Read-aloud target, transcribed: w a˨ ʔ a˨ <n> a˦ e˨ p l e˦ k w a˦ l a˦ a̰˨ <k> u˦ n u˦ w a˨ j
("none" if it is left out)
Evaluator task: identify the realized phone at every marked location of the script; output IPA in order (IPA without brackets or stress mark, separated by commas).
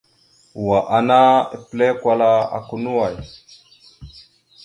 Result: n, k